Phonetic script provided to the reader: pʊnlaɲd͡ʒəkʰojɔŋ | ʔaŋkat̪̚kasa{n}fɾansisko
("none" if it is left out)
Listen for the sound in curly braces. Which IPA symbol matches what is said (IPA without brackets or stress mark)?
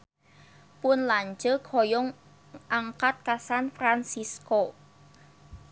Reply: n